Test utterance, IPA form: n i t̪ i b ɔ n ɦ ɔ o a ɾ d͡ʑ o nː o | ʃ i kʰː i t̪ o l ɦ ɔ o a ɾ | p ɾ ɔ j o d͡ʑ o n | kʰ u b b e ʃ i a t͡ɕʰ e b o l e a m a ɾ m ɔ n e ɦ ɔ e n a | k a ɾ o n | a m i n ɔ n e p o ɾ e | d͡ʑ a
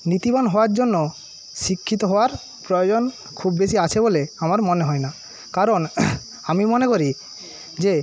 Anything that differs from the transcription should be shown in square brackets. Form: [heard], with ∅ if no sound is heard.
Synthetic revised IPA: n i t̪ i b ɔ n ɦ ɔ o a ɾ d͡ʑ o nː o | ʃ i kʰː i t̪ o [∅] ɦ ɔ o a ɾ | p ɾ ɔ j o d͡ʑ o n | kʰ u b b e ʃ i a t͡ɕʰ e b o l e a m a ɾ m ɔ n e ɦ ɔ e n a | k a ɾ o n | a m i [m] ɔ n e [k] o ɾ [i] | d͡ʑ [e]